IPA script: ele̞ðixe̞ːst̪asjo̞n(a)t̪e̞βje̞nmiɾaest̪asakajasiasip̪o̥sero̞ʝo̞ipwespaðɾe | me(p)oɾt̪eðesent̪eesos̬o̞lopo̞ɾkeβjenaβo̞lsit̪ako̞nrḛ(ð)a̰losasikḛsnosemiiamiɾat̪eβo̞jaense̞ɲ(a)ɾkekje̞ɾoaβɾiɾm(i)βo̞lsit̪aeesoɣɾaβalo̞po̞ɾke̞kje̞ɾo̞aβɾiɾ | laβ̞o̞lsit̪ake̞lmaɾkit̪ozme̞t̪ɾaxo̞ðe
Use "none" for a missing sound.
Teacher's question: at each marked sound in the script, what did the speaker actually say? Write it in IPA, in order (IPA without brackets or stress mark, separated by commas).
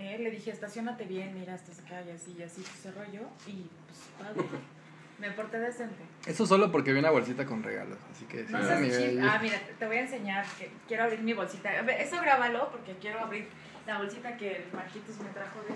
a, p, ɣ, a, i